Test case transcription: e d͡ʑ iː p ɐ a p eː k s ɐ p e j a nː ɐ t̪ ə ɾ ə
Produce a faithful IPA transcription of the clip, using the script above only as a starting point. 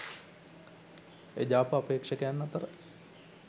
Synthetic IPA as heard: e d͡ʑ aː p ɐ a p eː k ʂ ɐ k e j a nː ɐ t̪ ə ɾ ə